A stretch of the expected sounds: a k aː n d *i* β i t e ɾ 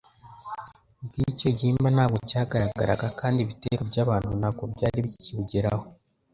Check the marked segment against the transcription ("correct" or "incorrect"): correct